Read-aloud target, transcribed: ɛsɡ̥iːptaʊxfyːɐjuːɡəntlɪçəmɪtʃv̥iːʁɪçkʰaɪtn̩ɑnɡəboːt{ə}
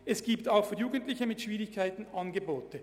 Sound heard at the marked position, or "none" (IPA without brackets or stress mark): ə